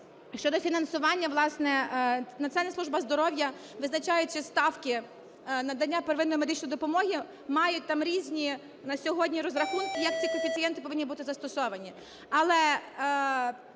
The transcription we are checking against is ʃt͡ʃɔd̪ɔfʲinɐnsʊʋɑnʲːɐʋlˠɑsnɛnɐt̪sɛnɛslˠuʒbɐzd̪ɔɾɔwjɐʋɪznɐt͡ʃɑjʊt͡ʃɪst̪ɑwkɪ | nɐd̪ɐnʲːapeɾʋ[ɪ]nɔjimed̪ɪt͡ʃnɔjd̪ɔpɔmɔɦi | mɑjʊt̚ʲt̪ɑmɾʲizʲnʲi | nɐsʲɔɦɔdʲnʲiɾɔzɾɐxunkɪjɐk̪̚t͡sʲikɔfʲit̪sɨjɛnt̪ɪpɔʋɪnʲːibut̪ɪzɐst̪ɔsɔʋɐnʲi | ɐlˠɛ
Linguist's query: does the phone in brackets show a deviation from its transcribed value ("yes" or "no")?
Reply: no